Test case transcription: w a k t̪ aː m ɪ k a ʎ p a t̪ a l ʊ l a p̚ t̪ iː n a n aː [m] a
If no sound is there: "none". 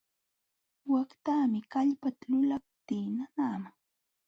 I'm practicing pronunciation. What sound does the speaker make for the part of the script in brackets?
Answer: m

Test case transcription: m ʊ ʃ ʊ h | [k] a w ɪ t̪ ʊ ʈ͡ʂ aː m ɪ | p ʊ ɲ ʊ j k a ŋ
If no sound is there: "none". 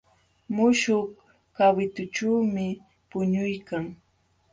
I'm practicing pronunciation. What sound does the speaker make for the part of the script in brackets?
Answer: k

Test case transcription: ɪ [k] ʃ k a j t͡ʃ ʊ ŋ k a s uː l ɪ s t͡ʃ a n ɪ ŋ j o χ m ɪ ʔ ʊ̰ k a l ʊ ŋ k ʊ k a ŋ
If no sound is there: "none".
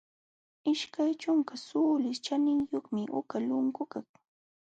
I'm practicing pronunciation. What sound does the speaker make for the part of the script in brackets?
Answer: none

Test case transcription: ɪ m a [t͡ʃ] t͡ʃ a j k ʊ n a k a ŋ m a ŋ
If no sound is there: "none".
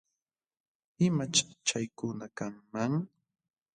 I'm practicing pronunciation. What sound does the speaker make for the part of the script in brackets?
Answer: t͡ʃ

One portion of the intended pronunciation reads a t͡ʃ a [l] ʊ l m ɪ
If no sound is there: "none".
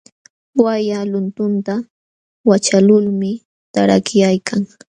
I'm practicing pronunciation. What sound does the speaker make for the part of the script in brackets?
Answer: l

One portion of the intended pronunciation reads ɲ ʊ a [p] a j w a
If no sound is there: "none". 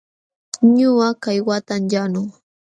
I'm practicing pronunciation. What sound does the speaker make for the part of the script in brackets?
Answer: k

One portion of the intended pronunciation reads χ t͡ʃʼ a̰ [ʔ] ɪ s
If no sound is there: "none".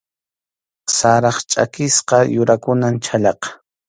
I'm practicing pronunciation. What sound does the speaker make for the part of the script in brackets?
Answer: k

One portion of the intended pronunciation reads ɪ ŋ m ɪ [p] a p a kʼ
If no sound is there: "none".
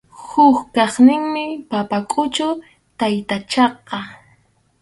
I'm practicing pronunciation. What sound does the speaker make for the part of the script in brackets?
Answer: p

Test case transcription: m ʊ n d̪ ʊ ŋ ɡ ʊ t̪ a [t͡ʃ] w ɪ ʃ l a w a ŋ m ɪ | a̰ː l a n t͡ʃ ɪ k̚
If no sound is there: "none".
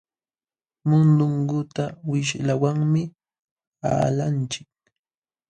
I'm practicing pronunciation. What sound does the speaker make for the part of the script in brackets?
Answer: none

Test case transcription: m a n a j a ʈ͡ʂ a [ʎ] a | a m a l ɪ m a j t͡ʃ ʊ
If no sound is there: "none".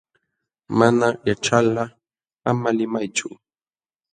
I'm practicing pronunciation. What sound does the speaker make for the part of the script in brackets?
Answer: l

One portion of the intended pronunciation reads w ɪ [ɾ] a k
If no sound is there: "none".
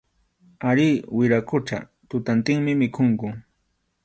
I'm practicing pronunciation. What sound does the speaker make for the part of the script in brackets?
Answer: ɾ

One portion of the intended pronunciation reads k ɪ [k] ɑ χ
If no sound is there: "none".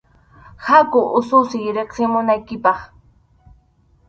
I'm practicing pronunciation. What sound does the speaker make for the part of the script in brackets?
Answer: p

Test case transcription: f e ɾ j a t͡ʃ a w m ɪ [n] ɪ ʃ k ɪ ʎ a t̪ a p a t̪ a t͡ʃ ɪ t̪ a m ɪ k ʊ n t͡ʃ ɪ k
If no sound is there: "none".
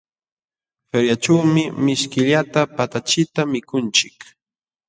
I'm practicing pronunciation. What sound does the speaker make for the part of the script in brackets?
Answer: m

